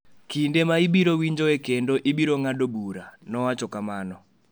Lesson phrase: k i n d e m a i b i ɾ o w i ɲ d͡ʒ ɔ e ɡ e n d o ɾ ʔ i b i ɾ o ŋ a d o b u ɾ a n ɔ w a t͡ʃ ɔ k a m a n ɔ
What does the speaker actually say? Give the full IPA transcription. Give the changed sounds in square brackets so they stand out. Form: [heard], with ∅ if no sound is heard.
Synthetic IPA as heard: k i n d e m a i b i ɾ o w i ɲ d͡ʒ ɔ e [k] e n d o [∅] ʔ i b i ɾ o ŋ a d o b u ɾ a n ɔ w a t͡ʃ ɔ k a m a n ɔ